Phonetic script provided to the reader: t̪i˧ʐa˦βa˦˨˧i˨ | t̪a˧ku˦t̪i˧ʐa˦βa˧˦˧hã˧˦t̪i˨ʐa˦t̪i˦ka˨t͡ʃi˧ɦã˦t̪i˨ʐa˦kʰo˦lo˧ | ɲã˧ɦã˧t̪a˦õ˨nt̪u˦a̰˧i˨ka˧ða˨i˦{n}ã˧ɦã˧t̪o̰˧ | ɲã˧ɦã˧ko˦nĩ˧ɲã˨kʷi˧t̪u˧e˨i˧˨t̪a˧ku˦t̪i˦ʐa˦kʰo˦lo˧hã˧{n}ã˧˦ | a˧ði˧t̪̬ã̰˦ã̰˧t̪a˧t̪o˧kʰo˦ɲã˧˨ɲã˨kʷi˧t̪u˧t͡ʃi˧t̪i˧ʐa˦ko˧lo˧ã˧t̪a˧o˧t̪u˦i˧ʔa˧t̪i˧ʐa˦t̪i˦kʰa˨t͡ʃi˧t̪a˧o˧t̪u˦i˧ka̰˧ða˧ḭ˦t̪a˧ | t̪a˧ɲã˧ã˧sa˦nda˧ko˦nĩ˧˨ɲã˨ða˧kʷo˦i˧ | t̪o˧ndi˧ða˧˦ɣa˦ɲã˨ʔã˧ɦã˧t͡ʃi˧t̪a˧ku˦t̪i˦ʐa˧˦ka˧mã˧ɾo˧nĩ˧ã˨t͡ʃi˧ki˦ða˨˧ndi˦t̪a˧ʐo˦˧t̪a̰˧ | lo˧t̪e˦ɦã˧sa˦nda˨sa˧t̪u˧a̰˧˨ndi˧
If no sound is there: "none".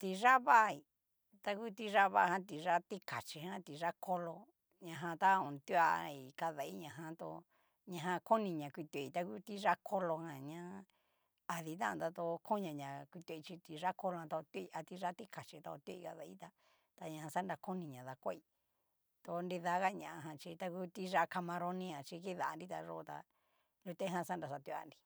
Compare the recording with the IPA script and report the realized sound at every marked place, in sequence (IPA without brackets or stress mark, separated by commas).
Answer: ɲ, ɲ